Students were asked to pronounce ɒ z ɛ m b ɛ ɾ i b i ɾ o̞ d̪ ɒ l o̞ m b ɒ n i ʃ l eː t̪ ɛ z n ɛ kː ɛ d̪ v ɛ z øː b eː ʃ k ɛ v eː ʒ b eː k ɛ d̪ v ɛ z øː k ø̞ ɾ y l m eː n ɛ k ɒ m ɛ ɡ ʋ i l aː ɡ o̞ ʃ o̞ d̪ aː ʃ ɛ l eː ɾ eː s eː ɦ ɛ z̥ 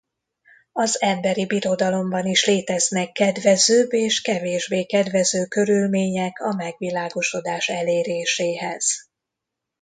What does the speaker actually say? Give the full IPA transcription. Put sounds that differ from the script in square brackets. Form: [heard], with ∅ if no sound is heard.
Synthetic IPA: ɒ z ɛ m b ɛ ɾ i b i ɾ o̞ d̪ ɒ l o̞ m b ɒ n i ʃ l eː t̪ ɛ z n ɛ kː ɛ d̪ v ɛ z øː b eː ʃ k ɛ v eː ʒ b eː k ɛ d̪ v ɛ z øː k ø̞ ɾ y l m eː [ɲ] ɛ k ɒ m ɛ ɡ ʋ i l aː ɡ o̞ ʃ o̞ d̪ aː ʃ ɛ l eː ɾ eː [ʃ] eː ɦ ɛ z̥

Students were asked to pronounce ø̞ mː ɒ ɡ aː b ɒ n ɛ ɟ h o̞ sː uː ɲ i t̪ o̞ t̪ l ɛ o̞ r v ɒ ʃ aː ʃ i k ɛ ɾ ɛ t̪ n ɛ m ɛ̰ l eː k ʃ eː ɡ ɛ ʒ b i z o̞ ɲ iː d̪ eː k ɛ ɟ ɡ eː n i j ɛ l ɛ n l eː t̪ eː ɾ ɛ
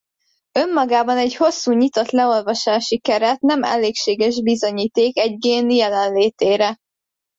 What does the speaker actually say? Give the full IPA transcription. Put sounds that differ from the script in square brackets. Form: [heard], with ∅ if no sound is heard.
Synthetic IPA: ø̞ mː ɒ ɡ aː b ɒ n ɛ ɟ h o̞ sː uː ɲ i t̪ o̞ t̪ l ɛ o̞ [l] v ɒ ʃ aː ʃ i k ɛ ɾ ɛ t̪ n ɛ m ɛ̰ l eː k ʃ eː ɡ ɛ ʒ b i z o̞ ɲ iː [t̪] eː k ɛ ɟ ɡ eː n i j ɛ l ɛ n l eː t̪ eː ɾ ɛ

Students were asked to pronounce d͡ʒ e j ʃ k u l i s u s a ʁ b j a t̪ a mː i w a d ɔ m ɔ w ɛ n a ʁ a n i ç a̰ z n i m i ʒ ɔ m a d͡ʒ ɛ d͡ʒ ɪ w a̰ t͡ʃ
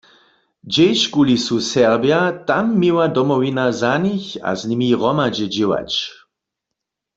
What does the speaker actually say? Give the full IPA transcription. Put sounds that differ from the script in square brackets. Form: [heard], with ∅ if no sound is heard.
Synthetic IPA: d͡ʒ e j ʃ k u l i s u s [ɛ] ʁ b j a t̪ a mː i w a d ɔ m ɔ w [i] n a [z] a n i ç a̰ z n i m i [ʁ] ɔ m a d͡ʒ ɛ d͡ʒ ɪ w a̰ t͡ʃ

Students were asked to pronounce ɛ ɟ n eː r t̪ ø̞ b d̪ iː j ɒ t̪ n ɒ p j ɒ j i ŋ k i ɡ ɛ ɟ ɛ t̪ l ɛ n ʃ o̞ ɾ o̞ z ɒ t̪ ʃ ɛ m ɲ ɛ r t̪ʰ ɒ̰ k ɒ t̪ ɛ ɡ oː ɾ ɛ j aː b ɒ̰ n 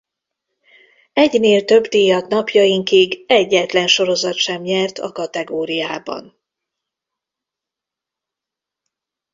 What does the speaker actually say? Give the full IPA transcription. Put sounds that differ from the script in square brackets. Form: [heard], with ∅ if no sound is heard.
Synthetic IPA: ɛ ɟ n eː [l] t̪ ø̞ b d̪ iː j ɒ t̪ n ɒ p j ɒ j i ŋ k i ɡ ɛ [ɟː] ɛ t̪ l ɛ n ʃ o̞ ɾ o̞ z ɒ t̪ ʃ ɛ m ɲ ɛ r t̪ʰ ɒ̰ k ɒ t̪ ɛ ɡ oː ɾ [i] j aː b ɒ̰ n

